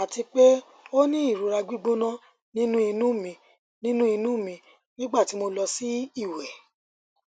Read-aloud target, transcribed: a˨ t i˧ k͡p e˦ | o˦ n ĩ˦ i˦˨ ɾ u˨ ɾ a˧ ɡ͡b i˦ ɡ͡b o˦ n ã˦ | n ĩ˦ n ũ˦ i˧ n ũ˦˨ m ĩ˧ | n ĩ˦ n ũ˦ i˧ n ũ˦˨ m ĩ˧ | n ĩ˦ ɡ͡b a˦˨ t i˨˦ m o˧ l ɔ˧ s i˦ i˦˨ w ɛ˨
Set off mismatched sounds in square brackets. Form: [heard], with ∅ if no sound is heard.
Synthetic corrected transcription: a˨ t i˧ k͡p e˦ | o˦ n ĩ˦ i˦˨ ɾ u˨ ɾ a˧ ɡ͡b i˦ ɡ͡b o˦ n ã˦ | n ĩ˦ n ũ˦ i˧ n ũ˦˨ m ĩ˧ | n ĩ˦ n ũ˦ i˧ n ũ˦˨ m ĩ˧ | n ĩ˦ ɡ͡b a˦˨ t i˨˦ m o˧ l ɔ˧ s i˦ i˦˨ w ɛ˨

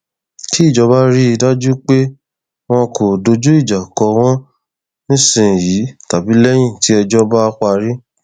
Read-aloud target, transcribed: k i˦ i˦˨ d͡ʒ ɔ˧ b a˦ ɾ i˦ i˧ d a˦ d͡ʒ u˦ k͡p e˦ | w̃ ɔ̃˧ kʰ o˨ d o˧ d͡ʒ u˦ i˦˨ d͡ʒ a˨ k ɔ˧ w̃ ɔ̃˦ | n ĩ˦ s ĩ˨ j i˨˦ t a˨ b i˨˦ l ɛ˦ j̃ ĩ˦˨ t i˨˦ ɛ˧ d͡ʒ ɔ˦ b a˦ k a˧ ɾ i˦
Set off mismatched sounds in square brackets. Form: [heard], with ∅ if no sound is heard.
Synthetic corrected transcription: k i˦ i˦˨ d͡ʒ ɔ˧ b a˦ ɾ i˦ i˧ d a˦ d͡ʒ u˦ k͡p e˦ | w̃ ɔ̃˧ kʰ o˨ d o˧ d͡ʒ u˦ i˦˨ d͡ʒ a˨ k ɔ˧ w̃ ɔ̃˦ | n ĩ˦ s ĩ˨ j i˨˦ t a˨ b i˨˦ l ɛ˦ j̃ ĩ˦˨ t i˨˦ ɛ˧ d͡ʒ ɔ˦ b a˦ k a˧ ɾ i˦

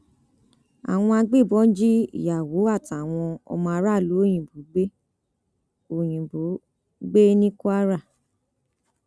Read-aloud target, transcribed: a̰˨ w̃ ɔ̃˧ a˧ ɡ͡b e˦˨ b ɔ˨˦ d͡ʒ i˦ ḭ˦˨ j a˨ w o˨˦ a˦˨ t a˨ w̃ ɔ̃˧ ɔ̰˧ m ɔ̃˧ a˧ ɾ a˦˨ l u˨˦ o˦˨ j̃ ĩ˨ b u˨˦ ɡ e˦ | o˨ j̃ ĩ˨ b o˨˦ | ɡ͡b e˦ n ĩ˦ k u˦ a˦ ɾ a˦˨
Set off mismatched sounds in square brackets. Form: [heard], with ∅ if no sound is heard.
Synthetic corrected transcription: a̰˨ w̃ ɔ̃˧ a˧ ɡ͡b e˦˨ b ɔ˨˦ d͡ʒ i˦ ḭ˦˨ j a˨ w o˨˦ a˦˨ t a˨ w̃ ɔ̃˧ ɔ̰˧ m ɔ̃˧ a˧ ɾ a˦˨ l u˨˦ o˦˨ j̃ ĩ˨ b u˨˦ [ɡ͡b] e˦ | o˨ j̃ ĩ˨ b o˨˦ | ɡ͡b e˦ n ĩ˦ k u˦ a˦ ɾ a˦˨

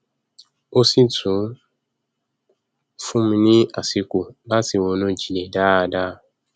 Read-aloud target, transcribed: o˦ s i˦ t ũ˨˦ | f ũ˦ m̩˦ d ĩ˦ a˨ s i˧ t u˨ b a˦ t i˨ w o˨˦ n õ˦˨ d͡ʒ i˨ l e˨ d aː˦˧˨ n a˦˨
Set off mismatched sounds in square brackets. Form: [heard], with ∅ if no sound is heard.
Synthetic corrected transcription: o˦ s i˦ t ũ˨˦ | f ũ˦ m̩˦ [n] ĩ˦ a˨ s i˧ [k] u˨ b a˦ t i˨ w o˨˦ n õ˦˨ d͡ʒ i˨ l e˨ d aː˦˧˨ [d] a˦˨

